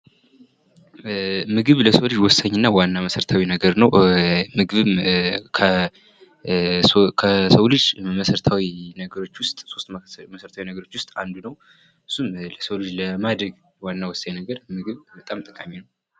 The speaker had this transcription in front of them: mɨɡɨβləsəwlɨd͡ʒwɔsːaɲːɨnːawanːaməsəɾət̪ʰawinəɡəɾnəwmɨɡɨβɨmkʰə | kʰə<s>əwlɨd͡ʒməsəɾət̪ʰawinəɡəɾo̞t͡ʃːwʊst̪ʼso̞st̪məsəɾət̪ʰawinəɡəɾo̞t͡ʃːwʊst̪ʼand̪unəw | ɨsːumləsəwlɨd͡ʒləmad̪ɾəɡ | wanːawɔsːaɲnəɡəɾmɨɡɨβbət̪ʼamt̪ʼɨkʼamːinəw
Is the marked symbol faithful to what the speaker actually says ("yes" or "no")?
yes